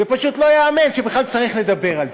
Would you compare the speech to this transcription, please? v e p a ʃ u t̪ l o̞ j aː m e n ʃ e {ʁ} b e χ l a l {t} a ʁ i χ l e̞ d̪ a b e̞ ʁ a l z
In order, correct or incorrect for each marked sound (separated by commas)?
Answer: incorrect, incorrect